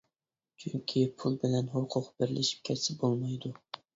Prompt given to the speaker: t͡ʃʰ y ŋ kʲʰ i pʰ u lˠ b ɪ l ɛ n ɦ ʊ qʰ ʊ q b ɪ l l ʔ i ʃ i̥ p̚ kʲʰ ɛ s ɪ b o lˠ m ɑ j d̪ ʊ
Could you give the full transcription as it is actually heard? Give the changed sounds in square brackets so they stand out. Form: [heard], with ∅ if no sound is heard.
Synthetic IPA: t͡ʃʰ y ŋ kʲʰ i pʰ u lˠ b ɪ l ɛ n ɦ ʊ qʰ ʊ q b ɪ [ɾ] l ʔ [ɪ] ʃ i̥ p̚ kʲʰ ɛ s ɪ b o lˠ m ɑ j d̪ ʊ